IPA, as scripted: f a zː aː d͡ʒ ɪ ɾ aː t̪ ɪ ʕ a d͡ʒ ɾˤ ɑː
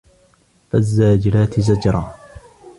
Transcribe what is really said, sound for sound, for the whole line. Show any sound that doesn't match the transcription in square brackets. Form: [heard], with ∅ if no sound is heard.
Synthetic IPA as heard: f a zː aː d͡ʒ ɪ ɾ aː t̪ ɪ [z] a d͡ʒ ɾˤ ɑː